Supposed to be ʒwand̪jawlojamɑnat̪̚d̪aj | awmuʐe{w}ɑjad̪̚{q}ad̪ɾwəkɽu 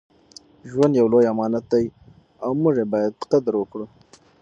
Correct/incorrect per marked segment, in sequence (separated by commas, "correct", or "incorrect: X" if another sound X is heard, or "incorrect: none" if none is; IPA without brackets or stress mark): incorrect: b, correct